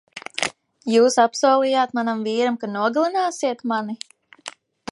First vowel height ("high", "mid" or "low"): high